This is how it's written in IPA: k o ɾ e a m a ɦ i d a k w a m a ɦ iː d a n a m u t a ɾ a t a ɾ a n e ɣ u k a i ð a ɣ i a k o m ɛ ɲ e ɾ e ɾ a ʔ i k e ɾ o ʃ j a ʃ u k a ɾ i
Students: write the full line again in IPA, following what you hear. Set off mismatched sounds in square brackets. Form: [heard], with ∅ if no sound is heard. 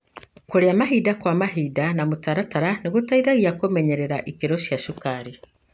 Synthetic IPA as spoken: k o ɾ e a m a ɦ i d a k w a m a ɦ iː d a n a m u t a ɾ a t a ɾ a n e ɣ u [t] a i ð a ɣ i a k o m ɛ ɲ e ɾ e ɾ a ʔ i k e ɾ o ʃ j a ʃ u k a ɾ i